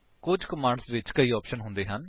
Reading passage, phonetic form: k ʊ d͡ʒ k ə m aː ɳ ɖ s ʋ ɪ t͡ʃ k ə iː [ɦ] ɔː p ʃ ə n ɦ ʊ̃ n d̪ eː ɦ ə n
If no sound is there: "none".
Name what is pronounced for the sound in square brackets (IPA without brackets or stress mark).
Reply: none